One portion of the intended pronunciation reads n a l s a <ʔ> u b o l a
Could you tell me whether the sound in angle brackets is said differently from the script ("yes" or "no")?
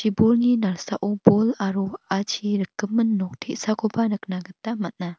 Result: no